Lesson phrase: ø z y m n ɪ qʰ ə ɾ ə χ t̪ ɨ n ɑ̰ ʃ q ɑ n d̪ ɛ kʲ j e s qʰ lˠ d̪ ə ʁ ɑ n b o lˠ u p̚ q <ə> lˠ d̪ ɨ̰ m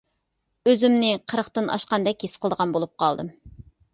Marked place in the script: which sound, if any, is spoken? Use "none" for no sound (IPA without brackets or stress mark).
ɑ